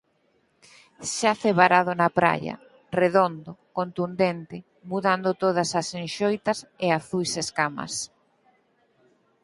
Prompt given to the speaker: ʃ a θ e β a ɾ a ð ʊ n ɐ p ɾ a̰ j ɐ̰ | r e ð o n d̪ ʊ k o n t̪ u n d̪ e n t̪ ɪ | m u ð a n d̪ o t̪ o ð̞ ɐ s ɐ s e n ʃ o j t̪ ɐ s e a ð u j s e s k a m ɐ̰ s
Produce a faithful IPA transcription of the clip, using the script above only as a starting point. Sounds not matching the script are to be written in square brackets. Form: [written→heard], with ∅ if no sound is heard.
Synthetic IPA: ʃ a θ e β a ɾ a ð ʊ n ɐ p ɾ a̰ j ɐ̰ | r e ð o n d̪ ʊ k o n t̪ u n d̪ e n t̪ ɪ | m u ð a n d̪ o t̪ o ð̞ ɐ s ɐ s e n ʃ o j t̪ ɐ s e a [ð→θ] u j s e s k a m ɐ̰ s

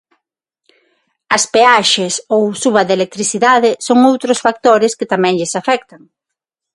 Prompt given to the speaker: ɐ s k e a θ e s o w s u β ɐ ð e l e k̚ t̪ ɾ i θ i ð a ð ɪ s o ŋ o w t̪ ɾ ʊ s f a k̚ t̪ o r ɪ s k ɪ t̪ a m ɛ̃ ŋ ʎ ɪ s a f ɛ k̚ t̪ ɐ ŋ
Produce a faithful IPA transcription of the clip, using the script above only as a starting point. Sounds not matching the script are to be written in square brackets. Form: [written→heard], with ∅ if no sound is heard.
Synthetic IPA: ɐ s [k→p] e a [θ→ʃ] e s o w s u β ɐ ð e l e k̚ t̪ ɾ i θ i ð a ð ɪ s o ŋ o w t̪ ɾ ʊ s f a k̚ t̪ o [r→ɾ] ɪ s k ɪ t̪ a m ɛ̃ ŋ ʎ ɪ s a f ɛ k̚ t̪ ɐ ŋ

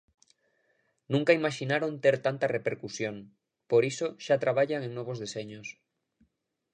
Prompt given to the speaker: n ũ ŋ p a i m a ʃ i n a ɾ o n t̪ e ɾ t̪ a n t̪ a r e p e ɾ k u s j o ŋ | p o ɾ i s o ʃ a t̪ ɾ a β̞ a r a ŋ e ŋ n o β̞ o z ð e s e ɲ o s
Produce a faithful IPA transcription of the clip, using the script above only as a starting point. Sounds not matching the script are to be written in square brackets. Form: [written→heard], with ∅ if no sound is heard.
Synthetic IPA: n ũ ŋ [p→k] a i m a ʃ i n a ɾ o n t̪ e ɾ t̪ a n t̪ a r e p e ɾ k u s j o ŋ | p o ɾ i s o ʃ a t̪ ɾ a β̞ a [r→ʎ] a ŋ e ŋ n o β̞ o z ð e s e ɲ o s

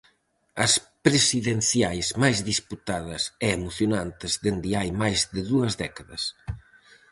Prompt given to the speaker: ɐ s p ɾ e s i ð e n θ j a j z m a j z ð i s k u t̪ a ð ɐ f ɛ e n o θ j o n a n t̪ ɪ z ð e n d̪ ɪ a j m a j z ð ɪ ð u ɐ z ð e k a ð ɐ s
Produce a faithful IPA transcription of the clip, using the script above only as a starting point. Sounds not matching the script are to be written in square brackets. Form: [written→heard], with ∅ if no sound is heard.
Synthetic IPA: ɐ s p ɾ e s i ð e n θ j a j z m a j z ð i s [k→p] u t̪ a ð ɐ [f→s] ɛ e [n→m] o θ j o n a n t̪ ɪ z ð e n d̪ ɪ a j m a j z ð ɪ ð u ɐ z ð [e→ɛ] k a ð ɐ s

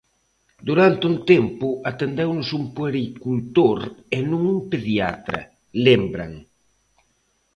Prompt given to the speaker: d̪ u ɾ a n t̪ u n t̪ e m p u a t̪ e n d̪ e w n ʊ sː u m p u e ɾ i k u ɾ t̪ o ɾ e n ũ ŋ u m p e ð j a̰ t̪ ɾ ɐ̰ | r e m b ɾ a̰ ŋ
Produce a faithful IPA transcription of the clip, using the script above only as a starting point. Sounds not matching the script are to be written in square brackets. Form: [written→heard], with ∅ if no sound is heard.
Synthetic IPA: d̪ u ɾ a n t̪ u n t̪ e m p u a t̪ e n d̪ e w n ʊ [sː→s] u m p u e ɾ i k u [ɾ→l] t̪ o ɾ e n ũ ŋ u m p e ð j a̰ t̪ ɾ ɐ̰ | [r→l] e m b ɾ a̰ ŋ

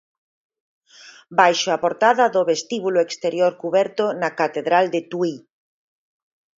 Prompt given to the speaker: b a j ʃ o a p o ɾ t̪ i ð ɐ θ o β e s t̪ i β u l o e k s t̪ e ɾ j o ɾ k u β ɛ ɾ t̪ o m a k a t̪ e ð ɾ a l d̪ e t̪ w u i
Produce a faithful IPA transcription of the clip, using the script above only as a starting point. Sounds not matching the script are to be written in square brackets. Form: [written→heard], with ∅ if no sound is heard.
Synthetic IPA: b a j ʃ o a p o ɾ t̪ [i→a] ð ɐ [θ→ð] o β e s t̪ i β u l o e k s t̪ e ɾ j o ɾ k u β ɛ ɾ t̪ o [m→n] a k a t̪ e ð ɾ a l d̪ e t̪ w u i

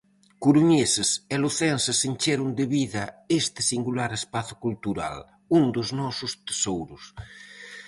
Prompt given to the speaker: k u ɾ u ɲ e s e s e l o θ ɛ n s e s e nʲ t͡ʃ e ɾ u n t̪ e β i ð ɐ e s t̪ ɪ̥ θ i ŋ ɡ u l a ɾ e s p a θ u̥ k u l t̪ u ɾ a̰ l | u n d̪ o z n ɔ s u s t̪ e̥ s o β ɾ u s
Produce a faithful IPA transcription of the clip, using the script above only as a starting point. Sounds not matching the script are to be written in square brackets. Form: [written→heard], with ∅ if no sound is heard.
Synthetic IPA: k u ɾ u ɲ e s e s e l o θ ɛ n s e s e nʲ t͡ʃ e ɾ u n [t̪→d̪] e β i ð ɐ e s t̪ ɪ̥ [θ→s] i ŋ ɡ u l a ɾ e s p a θ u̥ k u l t̪ u ɾ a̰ l | u n d̪ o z n ɔ s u s t̪ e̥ s o [β→w] ɾ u s

